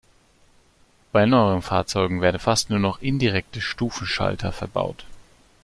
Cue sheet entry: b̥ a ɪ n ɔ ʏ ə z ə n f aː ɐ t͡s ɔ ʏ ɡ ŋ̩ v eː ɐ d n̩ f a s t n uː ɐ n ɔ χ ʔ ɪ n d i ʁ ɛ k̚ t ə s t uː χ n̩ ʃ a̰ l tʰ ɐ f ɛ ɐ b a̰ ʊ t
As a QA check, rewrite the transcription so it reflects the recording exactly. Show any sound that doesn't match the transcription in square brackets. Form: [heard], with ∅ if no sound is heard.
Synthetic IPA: b̥ a ɪ n ɔ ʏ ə [ʁ] ə n f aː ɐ t͡s ɔ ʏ ɡ ŋ̩ v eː ɐ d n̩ f a s t n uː ɐ n ɔ χ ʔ ɪ n d i ʁ ɛ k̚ t ə [ʃ] t uː [f] n̩ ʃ a̰ l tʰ ɐ f ɛ ɐ b a̰ ʊ t